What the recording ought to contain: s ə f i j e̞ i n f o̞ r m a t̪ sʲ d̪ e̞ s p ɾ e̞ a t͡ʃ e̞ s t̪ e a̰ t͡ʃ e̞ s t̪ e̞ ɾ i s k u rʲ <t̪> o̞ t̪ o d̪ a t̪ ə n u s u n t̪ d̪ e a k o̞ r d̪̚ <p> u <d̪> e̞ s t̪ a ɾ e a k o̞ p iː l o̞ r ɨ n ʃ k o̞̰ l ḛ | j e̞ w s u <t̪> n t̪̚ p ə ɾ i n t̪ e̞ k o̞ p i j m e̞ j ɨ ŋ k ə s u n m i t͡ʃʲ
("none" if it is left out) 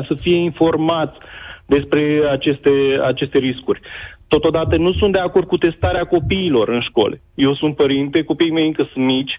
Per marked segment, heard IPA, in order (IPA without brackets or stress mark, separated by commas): t̪, k, t̪, none